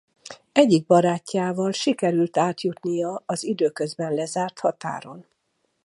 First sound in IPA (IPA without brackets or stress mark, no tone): ɛ